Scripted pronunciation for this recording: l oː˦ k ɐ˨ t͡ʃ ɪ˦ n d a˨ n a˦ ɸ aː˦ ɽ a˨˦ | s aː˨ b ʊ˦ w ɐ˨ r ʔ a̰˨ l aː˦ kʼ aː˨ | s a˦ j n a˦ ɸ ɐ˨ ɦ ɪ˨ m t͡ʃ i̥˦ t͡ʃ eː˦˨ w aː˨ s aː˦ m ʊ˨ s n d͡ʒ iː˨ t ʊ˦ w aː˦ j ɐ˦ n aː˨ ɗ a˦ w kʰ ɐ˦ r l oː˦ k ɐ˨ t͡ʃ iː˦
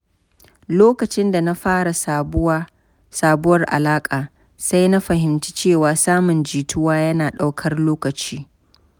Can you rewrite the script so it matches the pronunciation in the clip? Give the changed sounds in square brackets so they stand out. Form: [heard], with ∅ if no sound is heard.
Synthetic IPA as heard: l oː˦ k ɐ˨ t͡ʃ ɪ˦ n d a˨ n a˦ ɸ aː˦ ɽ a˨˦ | s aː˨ b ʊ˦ w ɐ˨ r ʔ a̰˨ l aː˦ kʼ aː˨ | s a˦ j n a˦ ɸ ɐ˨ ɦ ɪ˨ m t͡ʃ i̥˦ t͡ʃ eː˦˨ w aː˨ s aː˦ m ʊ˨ [∅] n d͡ʒ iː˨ t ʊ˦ w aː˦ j ɐ˦ n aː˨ ɗ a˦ w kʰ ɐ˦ r l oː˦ k ɐ˨ t͡ʃ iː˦